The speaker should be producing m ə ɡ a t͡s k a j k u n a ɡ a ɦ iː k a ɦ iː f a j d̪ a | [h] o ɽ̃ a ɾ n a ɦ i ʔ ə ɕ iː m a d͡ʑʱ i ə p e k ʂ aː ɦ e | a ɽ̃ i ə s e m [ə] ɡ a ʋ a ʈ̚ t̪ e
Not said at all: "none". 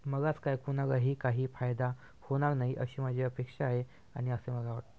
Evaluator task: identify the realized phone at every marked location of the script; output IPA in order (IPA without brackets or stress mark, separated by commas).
h, ə